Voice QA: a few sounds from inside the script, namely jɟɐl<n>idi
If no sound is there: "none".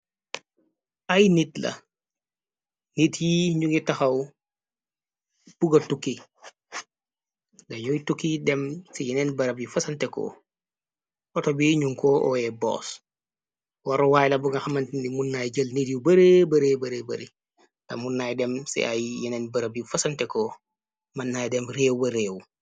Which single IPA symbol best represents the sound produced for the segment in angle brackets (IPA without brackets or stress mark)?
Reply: n